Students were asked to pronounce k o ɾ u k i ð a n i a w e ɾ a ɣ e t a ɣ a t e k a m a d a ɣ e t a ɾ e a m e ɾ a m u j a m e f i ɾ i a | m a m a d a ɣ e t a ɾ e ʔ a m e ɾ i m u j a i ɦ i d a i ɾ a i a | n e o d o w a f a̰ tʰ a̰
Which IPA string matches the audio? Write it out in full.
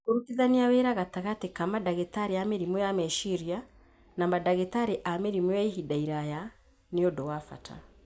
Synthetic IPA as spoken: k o ɾ u k i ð a n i a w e ɾ a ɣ a t a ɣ a t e k a m a d a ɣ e t a ɾ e a m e ɾ i m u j a m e ʃ i ɾ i a | n a m a d a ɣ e t a ɾ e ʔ a m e ɾ i m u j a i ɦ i d a i ɾ a j a | n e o d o w a f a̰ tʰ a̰